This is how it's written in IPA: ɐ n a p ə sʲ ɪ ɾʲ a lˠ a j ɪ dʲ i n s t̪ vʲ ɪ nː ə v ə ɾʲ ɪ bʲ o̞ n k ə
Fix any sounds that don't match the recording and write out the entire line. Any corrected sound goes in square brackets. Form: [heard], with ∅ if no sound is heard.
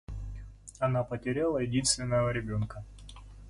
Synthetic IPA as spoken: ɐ n a p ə [tʲ] ɪ ɾʲ a lˠ [ə] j ɪ dʲ i n s t̪ vʲ ɪ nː ə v ə ɾʲ ɪ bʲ o̞ n k ə